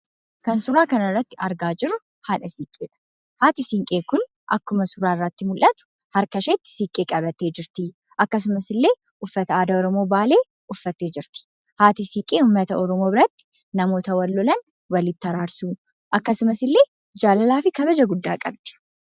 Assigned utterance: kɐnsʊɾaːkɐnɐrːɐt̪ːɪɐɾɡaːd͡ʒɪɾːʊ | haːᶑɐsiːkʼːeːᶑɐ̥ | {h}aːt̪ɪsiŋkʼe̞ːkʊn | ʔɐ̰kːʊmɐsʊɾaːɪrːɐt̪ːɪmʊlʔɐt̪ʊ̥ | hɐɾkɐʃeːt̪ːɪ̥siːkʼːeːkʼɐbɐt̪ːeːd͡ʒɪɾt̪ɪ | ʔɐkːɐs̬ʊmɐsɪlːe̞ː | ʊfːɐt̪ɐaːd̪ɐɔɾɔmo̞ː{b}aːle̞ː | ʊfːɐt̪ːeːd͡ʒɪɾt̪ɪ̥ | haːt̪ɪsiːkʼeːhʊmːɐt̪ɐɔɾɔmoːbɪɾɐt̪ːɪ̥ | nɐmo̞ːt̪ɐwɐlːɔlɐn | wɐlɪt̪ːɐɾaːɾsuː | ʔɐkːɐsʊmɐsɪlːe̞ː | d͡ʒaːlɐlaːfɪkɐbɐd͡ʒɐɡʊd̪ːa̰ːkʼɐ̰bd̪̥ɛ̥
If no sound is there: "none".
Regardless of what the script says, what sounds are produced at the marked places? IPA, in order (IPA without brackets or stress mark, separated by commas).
h, b